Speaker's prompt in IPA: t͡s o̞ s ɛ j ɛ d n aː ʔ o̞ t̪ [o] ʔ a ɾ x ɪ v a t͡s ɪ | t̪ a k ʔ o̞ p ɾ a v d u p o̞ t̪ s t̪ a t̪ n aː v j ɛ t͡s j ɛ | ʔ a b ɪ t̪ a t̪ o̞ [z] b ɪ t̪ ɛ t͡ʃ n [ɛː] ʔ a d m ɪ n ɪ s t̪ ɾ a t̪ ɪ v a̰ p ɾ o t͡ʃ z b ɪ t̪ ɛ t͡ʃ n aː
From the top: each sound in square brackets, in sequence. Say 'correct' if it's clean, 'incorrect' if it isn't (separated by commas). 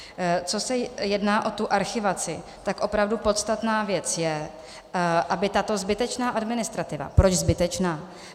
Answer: incorrect, correct, incorrect